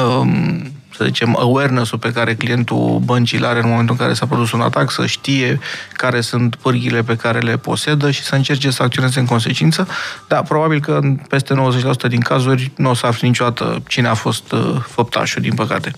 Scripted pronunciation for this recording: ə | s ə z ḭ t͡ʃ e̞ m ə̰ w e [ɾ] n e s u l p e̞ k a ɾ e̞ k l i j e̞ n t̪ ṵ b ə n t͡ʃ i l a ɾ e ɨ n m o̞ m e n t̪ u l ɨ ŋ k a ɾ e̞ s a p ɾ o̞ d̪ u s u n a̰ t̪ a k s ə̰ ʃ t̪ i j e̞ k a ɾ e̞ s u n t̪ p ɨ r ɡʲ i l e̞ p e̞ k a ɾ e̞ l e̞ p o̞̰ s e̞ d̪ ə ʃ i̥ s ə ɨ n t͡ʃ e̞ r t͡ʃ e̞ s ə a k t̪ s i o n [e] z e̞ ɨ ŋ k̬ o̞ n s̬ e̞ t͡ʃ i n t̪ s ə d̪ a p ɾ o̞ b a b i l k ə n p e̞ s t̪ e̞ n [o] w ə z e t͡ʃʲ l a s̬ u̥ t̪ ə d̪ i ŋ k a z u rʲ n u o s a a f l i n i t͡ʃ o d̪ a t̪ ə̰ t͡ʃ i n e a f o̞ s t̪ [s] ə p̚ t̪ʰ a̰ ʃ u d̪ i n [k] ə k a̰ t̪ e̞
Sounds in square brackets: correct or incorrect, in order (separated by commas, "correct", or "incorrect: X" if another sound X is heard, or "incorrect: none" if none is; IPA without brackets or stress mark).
incorrect: r, correct, correct, incorrect: f, incorrect: p